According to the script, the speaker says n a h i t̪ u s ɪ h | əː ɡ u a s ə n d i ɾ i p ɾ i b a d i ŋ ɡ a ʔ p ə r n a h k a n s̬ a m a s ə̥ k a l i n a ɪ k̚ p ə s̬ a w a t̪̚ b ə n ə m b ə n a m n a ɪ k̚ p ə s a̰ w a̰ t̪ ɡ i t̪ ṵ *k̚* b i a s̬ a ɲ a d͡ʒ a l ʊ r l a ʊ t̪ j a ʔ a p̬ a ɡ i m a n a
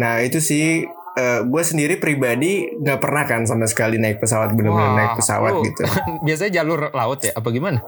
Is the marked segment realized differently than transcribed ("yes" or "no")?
yes